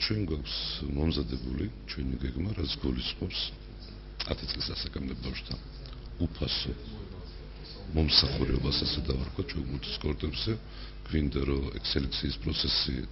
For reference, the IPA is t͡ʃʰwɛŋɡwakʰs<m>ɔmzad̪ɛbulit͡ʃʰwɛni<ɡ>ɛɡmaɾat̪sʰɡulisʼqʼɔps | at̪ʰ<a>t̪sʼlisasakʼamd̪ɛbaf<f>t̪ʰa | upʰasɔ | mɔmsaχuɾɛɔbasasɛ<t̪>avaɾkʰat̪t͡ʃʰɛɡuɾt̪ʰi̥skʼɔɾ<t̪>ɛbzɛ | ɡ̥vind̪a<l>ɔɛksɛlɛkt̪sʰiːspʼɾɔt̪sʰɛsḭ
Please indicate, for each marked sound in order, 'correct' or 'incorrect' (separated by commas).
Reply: correct, correct, incorrect, incorrect, incorrect, incorrect, incorrect